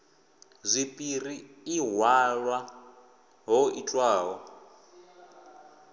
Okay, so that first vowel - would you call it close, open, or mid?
close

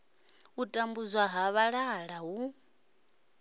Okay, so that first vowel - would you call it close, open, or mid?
close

